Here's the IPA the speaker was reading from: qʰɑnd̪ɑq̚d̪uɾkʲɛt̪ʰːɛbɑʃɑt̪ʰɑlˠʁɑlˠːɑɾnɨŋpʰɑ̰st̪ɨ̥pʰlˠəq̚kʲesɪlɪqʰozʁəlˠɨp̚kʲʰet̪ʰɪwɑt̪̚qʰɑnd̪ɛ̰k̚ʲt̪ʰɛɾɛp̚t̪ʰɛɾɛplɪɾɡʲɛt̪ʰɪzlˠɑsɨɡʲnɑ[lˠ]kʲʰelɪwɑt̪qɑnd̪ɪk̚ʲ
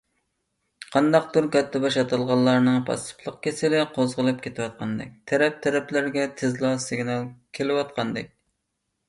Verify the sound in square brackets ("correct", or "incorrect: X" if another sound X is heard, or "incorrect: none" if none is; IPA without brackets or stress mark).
correct